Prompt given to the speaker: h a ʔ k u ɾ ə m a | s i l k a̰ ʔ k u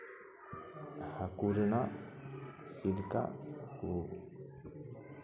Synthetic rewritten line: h a k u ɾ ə n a | s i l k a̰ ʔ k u